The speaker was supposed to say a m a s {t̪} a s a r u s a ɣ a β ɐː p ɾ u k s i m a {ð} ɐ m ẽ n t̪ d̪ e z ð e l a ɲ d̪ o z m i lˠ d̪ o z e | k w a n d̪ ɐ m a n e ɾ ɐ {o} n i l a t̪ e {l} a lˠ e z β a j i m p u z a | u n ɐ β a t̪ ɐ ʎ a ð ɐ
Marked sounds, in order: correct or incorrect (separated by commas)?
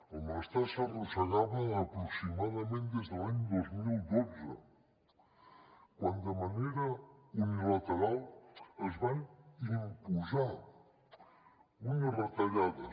correct, correct, incorrect, incorrect